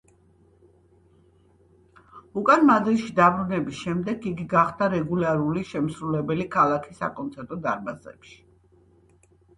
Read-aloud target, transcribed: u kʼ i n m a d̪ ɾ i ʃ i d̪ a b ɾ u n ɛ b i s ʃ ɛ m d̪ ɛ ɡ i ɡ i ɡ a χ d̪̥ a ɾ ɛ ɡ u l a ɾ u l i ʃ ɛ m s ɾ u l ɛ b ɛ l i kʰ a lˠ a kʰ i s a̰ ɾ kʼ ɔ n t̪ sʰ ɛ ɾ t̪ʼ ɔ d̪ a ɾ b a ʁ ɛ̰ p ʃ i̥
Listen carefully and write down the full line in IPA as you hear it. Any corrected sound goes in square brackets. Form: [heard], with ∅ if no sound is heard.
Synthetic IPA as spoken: u kʼ [a] n m a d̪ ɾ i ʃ i d̪ a b ɾ u n ɛ b i s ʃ ɛ m d̪ ɛ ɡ i ɡ i ɡ a χ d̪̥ a ɾ ɛ ɡ u l a ɾ u l i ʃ ɛ m s ɾ u l ɛ b ɛ l i kʰ a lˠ a kʰ i s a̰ [∅] kʼ ɔ n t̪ sʰ ɛ ɾ t̪ʼ ɔ d̪ a ɾ b a [z] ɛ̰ p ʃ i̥